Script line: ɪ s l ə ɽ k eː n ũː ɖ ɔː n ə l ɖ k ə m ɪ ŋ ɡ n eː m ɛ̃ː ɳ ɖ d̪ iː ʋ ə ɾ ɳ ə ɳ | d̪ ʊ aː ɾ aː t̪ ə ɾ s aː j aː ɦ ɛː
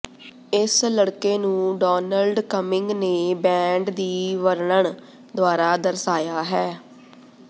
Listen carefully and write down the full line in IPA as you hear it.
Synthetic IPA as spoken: ɪ s l ə ɽ k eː n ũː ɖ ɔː n ə l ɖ k ə m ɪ ŋ ɡ n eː b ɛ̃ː ɳ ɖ d̪ iː ʋ ə ɾ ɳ ə ɳ | d̪ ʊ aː ɾ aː d̪ ə ɾ s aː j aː ɦ ɛː